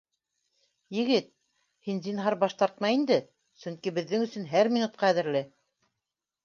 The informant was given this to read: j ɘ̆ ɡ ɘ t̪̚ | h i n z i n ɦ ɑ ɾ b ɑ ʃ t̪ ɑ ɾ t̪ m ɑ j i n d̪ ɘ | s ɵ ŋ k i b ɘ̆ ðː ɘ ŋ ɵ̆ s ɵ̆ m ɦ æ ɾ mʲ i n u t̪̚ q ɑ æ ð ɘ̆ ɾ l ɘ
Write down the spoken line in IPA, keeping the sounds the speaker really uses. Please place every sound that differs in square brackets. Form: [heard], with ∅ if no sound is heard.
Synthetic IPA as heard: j ɘ̆ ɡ ɘ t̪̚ | h i n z i n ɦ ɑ ɾ b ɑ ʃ t̪ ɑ ɾ t̪ m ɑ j i n d̪ ɘ | s ɵ ŋ k i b ɘ̆ ðː ɘ ŋ ɵ̆ s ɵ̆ [n] ɦ æ ɾ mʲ i n u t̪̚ q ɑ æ ð ɘ̆ ɾ l ɘ